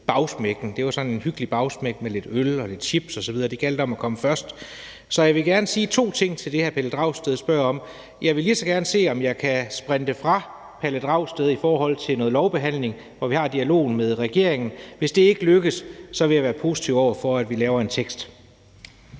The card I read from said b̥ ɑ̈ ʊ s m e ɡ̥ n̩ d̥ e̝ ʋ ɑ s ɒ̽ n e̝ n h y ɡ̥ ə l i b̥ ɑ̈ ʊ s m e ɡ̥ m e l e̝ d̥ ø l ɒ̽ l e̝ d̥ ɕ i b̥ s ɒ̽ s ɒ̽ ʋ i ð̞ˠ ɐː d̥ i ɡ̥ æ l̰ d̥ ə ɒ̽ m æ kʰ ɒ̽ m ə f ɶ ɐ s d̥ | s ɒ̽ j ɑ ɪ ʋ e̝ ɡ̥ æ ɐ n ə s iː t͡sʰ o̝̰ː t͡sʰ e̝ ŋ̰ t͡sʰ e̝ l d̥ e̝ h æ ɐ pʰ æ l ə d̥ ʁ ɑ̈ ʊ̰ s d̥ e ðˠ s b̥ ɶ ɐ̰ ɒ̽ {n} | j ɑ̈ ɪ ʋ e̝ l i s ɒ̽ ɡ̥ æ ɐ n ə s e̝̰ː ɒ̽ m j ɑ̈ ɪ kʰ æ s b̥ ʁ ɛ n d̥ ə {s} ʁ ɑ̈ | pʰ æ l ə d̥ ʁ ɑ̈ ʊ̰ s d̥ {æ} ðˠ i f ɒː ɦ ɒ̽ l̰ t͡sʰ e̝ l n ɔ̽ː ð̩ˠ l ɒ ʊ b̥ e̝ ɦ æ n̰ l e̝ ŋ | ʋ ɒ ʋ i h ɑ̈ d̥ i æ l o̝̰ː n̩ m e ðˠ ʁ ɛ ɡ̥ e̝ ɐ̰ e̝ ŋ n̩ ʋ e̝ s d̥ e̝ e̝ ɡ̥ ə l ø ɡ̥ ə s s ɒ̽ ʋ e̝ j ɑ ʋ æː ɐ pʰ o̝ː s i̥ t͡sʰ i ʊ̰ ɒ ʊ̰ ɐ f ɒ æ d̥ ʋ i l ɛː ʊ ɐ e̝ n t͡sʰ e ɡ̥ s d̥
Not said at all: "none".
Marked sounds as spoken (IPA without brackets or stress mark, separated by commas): m, f, e